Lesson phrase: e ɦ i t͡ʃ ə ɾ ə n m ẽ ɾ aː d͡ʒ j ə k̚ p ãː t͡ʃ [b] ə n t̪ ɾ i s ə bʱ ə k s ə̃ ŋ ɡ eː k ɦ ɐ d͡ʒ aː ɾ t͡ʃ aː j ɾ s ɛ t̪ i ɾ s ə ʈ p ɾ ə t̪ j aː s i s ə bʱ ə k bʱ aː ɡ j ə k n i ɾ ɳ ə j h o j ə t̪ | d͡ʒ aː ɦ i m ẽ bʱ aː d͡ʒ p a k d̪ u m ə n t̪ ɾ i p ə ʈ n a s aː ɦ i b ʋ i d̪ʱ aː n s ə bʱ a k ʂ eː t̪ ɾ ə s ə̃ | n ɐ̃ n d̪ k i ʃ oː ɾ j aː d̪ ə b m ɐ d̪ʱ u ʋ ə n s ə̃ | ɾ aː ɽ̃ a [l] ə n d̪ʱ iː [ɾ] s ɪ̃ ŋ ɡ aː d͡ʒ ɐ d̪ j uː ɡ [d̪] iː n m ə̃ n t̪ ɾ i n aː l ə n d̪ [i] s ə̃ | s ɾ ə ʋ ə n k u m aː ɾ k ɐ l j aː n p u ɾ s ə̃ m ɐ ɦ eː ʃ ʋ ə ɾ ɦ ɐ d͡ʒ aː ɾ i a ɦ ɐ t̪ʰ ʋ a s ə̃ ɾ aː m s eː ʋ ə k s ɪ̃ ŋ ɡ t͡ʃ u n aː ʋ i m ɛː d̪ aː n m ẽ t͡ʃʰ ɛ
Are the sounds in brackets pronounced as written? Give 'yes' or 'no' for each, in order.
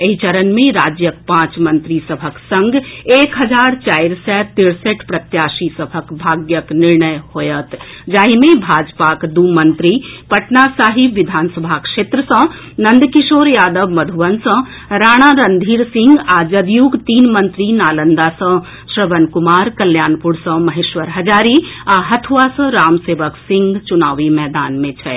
no, no, yes, no, no

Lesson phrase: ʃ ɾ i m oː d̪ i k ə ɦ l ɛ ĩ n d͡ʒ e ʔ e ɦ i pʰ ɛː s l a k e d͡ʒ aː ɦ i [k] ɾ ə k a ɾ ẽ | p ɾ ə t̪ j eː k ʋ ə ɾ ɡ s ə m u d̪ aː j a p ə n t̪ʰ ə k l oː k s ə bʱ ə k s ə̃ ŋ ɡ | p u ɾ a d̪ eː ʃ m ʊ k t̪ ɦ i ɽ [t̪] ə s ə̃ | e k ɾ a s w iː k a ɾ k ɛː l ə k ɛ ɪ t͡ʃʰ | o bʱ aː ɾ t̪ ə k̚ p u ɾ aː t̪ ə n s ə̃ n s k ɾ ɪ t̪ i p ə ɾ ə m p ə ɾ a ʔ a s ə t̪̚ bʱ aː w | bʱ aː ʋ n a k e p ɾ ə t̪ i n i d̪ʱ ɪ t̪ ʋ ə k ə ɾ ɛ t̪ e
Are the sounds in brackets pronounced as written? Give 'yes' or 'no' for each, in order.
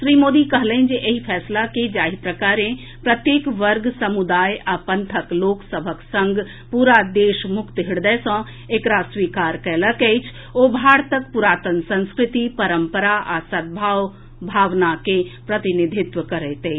no, no

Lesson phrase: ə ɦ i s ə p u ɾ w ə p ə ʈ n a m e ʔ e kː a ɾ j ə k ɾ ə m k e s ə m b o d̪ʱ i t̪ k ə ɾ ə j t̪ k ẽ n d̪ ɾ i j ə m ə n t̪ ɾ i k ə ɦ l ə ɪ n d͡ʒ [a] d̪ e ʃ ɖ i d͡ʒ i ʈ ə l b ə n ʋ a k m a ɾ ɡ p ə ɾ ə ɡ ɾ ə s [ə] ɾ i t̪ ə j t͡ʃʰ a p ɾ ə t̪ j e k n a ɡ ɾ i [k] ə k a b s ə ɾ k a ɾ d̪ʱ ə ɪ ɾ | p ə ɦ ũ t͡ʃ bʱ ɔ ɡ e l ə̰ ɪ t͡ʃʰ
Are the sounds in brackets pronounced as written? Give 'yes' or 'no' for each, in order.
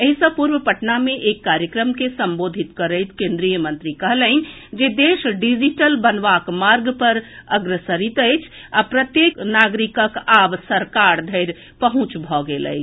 no, yes, yes

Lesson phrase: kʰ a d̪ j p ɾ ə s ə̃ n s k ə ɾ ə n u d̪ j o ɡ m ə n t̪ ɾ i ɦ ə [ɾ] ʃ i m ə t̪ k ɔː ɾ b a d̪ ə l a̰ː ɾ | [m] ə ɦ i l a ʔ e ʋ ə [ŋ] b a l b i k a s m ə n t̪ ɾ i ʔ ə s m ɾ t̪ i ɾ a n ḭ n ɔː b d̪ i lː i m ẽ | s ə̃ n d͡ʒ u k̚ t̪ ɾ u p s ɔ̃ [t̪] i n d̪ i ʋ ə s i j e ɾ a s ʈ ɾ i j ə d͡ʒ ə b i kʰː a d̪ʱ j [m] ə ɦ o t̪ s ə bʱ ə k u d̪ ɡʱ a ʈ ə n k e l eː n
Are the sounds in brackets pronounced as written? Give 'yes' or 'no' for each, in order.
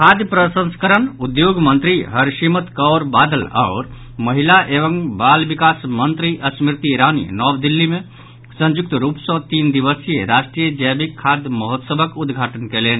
yes, yes, yes, yes, yes

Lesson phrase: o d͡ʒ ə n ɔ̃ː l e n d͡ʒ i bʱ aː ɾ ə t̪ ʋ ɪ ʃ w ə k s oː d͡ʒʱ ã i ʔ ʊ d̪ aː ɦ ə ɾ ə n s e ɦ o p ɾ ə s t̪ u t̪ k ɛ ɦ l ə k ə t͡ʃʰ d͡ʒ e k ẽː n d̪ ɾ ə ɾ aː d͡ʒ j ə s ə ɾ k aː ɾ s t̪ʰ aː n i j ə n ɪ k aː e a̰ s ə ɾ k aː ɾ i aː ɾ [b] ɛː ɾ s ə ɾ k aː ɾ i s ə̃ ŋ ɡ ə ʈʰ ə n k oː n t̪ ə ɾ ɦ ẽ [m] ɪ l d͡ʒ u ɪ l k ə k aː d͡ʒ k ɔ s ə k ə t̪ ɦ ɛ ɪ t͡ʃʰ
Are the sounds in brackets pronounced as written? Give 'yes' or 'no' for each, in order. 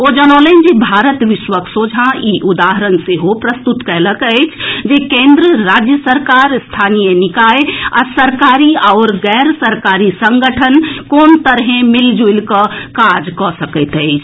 no, yes

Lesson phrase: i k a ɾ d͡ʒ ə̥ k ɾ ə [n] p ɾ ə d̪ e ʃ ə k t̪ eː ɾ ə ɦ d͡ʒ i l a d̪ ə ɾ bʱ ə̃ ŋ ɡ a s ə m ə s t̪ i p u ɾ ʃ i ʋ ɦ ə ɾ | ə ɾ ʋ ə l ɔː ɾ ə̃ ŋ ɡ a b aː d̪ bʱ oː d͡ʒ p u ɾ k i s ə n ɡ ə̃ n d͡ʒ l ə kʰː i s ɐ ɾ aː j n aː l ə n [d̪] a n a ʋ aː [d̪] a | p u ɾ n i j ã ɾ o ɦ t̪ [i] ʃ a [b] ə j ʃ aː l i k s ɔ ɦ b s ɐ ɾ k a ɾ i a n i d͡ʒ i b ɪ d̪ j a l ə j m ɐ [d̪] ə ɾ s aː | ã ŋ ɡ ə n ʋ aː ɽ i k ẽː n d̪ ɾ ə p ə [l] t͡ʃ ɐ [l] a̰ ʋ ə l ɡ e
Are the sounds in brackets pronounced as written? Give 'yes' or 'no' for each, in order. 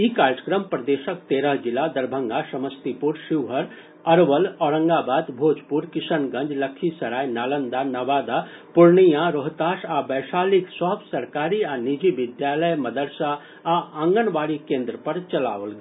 no, yes, yes, no, yes, yes, no, yes

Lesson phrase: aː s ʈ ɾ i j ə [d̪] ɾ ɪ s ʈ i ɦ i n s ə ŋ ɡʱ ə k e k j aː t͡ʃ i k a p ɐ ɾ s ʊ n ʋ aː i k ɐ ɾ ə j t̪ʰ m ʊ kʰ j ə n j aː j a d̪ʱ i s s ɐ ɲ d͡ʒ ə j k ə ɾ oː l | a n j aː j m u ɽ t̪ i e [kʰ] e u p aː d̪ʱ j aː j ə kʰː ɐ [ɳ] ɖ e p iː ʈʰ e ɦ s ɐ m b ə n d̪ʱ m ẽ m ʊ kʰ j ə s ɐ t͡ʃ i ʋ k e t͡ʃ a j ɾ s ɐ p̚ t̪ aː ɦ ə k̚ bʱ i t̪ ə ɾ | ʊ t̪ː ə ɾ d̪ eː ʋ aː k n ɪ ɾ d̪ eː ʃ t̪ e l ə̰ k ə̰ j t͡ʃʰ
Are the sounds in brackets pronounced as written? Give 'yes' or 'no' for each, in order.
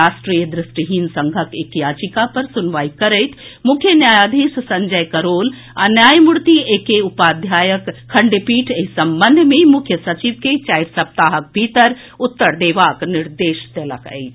yes, no, yes

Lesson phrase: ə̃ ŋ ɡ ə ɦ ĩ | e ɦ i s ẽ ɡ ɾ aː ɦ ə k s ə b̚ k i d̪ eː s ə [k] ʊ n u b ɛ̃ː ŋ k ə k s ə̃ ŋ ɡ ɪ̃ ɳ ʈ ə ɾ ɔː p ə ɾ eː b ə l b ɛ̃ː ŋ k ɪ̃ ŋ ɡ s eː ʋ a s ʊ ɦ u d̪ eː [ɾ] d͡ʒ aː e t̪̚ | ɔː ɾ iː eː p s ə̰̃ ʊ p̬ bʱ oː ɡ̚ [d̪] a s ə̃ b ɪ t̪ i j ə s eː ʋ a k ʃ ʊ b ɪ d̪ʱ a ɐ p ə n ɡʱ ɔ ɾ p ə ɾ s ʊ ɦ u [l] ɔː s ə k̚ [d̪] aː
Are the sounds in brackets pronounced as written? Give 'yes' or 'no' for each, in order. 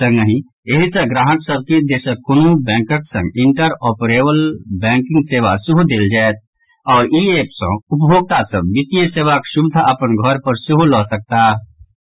yes, no, no, yes, no

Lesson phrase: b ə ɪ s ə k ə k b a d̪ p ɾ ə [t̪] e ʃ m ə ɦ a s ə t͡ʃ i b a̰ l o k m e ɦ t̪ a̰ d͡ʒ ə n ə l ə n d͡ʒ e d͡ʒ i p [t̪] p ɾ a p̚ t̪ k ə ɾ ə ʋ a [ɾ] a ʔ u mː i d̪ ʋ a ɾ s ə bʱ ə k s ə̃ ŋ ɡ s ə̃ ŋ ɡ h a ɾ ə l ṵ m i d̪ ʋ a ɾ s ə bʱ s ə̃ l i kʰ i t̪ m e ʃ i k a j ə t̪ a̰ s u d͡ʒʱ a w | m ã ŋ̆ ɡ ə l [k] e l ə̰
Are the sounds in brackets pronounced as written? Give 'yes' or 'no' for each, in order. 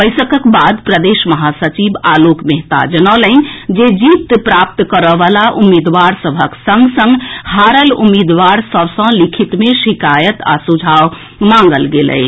no, yes, no, no

